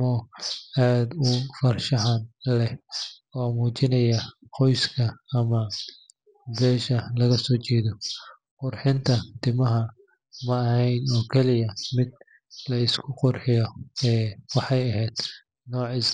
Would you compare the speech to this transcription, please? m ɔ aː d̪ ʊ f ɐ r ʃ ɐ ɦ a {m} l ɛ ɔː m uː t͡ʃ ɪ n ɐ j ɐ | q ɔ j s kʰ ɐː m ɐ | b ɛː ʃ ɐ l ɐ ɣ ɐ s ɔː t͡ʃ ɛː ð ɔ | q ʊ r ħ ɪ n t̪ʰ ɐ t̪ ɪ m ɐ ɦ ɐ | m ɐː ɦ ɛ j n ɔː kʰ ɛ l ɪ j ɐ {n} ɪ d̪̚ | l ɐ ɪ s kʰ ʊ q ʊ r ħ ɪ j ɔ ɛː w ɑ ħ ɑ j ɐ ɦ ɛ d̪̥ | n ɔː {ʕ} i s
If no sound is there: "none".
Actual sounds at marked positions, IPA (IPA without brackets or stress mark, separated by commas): n, m, ʕ